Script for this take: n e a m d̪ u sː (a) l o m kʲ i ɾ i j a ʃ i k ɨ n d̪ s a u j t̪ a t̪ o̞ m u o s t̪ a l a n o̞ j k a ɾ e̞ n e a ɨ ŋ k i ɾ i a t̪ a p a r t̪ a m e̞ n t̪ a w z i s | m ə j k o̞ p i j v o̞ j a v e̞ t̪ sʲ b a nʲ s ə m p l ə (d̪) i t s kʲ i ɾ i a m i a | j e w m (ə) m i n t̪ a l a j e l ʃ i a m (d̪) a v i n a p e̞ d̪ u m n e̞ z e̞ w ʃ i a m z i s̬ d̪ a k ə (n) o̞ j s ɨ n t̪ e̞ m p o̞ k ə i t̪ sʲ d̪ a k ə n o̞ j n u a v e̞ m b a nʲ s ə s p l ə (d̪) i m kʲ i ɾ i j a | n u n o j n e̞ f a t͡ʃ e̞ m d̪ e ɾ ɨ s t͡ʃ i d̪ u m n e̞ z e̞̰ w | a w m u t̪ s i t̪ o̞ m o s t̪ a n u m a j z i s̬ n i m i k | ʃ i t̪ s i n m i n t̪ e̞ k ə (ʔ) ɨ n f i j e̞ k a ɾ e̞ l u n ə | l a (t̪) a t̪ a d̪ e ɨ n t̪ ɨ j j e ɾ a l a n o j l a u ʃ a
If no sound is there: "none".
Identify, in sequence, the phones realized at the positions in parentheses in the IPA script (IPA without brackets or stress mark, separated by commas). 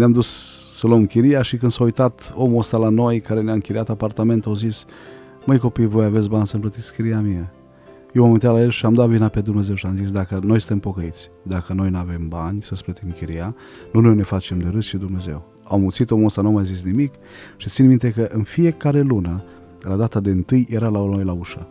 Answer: ə, t̪, a, d̪, n, t̪, ʔ, d̪